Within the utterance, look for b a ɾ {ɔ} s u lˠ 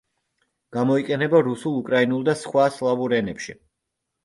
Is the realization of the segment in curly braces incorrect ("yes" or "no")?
yes